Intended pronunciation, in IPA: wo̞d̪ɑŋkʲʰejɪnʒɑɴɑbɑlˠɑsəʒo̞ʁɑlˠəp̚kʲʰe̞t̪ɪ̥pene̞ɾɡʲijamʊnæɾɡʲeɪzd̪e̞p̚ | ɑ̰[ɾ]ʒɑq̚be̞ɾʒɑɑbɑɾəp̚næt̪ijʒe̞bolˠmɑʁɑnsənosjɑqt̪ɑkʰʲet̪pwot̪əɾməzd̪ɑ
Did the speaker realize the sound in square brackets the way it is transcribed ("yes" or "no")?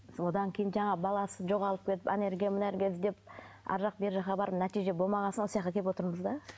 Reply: yes